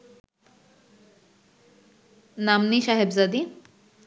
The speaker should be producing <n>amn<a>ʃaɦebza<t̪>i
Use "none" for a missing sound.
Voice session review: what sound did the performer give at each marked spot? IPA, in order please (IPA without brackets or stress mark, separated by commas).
n, i, d̪